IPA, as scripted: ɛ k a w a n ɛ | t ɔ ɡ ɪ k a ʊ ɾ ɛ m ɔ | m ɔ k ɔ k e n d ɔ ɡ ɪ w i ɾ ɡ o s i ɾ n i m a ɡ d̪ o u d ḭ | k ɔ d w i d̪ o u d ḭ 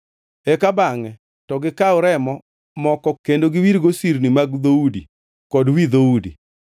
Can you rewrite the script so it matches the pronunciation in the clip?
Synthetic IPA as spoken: ɛ k a b a ŋ ɛ | t ɔ ɡ ɪ k a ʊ ɾ ɛ m ɔ | m ɔ k ɔ k e n d o ɡ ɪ w i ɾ ɡ o s i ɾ n i m a ɡ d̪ o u d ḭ | k ɔ d w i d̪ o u d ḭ

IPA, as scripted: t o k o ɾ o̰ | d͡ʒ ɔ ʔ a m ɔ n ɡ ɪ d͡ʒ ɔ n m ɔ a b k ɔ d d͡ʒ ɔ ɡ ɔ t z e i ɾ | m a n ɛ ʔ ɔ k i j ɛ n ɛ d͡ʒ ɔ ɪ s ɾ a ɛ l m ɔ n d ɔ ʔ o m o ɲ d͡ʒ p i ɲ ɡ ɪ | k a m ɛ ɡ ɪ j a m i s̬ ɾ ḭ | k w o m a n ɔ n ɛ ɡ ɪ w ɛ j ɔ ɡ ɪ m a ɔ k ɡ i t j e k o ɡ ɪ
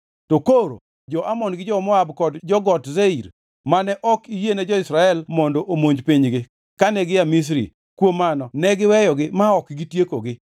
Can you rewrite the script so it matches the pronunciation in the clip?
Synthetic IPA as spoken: t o k o ɾ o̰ | d͡ʒ ɔ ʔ a m ɔ n ɡ ɪ d͡ʒ ɔ m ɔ a b k ɔ d d͡ʒ ɔ ɡ ɔ t z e i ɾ | m a n ɛ ʔ ɔ k i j e n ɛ d͡ʒ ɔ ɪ s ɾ a ɛ l m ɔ n d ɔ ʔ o m o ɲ d͡ʒ p i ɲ ɡ ɪ | k a n ɛ ɡ ɪ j a m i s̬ ɾ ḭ | k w o m a n ɔ n ɛ ɡ ɪ w ɛ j ɔ ɡ ɪ m a ɔ k ɡ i t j e k o ɡ ɪ

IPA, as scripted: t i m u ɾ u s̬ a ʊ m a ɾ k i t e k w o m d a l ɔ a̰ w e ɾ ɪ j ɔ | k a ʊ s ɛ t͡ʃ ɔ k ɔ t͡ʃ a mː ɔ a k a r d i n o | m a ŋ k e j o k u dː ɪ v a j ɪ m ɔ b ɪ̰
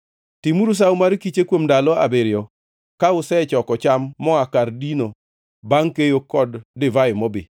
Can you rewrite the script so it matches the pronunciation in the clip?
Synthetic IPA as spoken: t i m u ɾ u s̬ a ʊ m a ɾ k i t͡ʃ e k w o m d a l ɔ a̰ b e ɾ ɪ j ɔ | k a ʊ s ɛ t͡ʃ ɔ k ɔ t͡ʃ a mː ɔ a k a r d i n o | b a ŋ k e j o k ɔ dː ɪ v a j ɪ m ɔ b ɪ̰

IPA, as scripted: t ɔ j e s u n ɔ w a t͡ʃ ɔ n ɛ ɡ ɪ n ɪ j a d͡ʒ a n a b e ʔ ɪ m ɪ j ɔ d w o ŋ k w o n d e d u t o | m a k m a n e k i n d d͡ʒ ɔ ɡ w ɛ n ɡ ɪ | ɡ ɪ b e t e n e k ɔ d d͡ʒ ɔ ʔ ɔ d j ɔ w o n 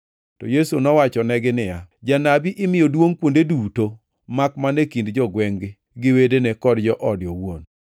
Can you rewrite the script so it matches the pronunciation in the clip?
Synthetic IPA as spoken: t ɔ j e s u n ɔ w a t͡ʃ ɔ n ɛ ɡ ɪ n ɪ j a d͡ʒ a n a b i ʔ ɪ m ɪ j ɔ d w o ŋ k w o n d e d u t o | m a k m a n e k i n d d͡ʒ ɔ ɡ w ɛ ŋ ɡ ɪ | ɡ ɪ w e d e n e k ɔ d d͡ʒ ɔ ʔ ɔ d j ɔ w o n

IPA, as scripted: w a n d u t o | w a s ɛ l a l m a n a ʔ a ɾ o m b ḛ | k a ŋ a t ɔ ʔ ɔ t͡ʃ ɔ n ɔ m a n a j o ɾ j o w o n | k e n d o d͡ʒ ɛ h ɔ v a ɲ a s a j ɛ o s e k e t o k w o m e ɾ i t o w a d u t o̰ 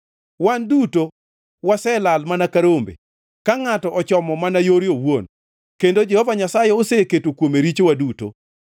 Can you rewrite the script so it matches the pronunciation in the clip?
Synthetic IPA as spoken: w a n d u t o | w a s ɛ l a l m a n a k a ɾ o m b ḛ | k a ŋ a t ɔ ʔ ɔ t͡ʃ ɔ m ɔ m a n a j o ɾ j o w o n | k e n d o d͡ʒ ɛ h ɔ v a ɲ a s a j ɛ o s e k e t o k w o m e ɾ i t͡ʃ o w a d u t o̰

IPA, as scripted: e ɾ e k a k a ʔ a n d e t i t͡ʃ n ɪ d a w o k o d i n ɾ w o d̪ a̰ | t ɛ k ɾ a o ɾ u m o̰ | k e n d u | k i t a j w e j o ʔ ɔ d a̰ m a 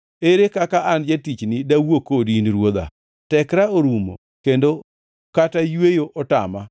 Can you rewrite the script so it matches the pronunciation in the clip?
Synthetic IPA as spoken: e ɾ e k a k a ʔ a n d͡ʒ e t i t͡ʃ n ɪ d a w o k o d i n ɾ w o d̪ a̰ | t ɛ k ɾ a o ɾ u m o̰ | k e n d o | k a t a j w e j o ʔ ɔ t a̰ m a

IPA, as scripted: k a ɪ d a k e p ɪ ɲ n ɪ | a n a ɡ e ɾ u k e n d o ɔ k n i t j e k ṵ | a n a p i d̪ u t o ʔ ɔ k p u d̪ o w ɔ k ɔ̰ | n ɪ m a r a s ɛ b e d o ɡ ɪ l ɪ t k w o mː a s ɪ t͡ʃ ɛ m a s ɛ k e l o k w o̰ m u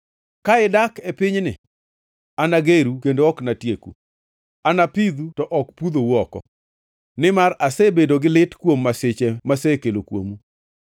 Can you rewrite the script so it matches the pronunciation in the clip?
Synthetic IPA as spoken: k a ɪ d a k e p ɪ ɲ n ɪ | a n a ɡ e ɾ u k e n d o ɔ k n a t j e k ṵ | a n a p i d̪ u t ɔ ʔ ɔ k p u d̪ o w ɔ k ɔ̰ | n ɪ m a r a s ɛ b e d o ɡ ɪ l ɪ t k w o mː a s ɪ t͡ʃ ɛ m a s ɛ k e l o k w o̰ m u

